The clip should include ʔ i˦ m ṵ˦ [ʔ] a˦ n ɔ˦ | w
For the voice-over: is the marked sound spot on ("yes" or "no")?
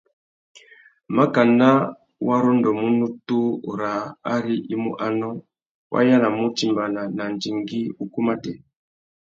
yes